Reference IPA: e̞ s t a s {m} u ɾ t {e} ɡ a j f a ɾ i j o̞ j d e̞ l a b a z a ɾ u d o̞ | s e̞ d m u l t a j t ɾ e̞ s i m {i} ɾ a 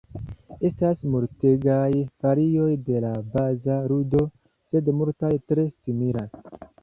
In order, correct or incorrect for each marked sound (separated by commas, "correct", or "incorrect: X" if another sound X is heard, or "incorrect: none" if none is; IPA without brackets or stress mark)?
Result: correct, correct, correct